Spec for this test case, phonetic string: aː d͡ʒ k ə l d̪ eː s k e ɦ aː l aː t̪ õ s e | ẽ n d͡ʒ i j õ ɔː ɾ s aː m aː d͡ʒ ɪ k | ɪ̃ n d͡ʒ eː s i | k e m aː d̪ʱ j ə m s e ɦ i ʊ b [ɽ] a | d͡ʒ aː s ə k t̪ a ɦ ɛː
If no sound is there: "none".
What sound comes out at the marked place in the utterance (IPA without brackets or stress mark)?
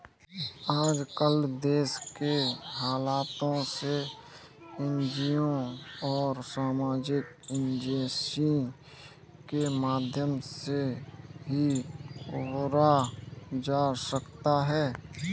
ɾ